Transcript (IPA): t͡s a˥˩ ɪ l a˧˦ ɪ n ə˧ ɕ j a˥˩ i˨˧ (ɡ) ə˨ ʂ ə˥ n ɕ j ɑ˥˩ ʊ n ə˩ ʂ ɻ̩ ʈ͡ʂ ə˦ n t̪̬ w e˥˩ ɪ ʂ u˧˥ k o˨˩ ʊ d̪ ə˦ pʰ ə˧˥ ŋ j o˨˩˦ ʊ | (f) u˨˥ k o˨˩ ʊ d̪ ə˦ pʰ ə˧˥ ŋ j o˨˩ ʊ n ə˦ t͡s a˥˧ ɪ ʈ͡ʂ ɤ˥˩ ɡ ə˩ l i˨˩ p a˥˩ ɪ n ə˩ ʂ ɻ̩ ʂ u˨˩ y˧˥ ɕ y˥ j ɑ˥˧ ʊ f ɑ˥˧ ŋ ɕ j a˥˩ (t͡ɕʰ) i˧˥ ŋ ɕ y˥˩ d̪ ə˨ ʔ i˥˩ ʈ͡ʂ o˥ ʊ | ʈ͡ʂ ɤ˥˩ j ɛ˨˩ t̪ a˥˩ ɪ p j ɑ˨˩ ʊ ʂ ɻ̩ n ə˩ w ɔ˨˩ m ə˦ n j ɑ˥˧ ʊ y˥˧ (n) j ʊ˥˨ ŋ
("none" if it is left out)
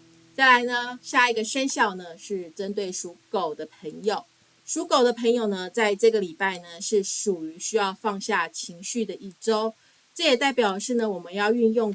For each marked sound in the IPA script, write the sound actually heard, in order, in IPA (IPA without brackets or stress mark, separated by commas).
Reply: ɡ, ʂ, t͡ɕʰ, n